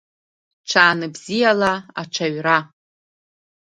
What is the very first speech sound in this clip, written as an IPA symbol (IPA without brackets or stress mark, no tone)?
ʈ͡ʂʰ